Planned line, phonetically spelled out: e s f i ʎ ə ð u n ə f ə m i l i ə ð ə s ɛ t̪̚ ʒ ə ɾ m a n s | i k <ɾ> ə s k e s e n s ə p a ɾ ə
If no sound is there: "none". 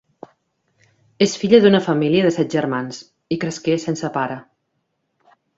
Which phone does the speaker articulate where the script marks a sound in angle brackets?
ɾ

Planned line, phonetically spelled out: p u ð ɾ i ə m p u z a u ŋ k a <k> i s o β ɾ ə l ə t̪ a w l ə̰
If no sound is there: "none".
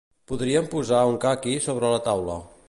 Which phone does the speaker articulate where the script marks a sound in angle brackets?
k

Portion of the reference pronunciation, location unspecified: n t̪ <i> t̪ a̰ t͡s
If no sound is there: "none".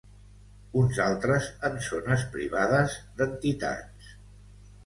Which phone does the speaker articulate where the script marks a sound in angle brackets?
i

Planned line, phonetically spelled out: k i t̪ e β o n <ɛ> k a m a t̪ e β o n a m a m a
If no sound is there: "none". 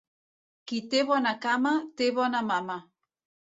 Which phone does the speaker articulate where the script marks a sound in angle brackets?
a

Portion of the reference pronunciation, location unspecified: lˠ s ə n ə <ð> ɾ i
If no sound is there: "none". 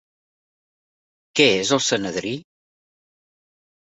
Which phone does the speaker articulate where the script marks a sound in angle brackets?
ð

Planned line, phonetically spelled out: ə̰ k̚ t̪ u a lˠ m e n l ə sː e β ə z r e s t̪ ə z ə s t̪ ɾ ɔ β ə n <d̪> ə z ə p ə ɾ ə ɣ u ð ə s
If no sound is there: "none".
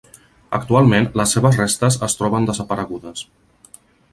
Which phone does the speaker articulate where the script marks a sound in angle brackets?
d̪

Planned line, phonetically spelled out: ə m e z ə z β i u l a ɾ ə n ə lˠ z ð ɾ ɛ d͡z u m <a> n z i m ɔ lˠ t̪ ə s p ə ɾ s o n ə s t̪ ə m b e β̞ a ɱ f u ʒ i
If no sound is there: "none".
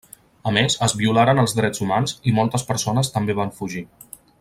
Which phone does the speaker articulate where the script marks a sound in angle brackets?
a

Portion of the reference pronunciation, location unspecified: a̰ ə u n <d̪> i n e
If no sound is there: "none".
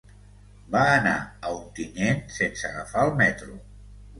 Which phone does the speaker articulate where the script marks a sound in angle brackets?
t̪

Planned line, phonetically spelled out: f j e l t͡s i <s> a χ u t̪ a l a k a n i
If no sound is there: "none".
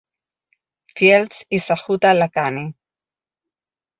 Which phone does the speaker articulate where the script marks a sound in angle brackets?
s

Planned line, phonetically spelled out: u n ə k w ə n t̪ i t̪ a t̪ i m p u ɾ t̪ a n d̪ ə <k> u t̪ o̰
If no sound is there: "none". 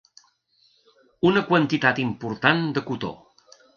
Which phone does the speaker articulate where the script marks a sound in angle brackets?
k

